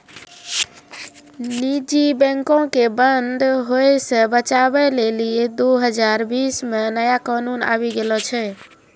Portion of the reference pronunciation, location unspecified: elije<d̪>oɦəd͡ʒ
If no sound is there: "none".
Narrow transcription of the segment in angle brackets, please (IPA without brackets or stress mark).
d̪